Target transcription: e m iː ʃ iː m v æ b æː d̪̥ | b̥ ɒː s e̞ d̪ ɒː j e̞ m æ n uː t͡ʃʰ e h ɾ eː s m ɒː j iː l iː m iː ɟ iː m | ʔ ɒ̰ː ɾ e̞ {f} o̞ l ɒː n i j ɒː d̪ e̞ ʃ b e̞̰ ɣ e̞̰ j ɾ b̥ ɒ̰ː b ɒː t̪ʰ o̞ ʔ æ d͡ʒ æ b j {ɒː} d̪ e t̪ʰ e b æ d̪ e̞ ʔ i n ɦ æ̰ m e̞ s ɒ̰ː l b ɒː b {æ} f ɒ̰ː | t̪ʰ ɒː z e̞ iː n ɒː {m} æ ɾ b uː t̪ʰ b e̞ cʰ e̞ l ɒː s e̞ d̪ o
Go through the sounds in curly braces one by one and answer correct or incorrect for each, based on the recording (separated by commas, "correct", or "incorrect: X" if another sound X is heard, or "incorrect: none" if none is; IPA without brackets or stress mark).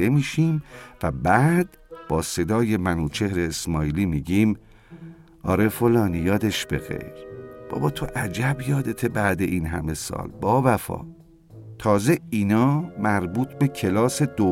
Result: correct, correct, correct, correct